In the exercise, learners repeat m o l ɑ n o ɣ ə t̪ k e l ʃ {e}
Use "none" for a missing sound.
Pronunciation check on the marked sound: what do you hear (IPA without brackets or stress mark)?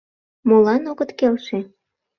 e